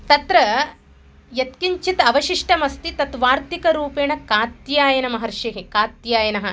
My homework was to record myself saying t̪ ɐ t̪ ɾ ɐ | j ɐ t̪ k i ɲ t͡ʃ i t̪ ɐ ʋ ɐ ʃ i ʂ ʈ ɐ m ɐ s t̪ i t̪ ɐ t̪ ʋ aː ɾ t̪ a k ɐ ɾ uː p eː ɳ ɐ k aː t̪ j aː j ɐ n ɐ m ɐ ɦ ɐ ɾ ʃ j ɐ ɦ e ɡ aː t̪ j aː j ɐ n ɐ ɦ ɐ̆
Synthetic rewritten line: t̪ ɐ t̪ ɾ ɐ | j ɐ t̪ k i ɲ t͡ʃ i t̪ ɐ ʋ ɐ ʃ i ʂ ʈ ɐ m ɐ s t̪ i t̪ ɐ t̪ ʋ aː ɾ t̪ i k ɐ ɾ uː p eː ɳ ɐ k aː t̪ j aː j ɐ n ɐ m ɐ ɦ ɐ ɾ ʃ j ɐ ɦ e k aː t̪ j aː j ɐ n ɐ ɦ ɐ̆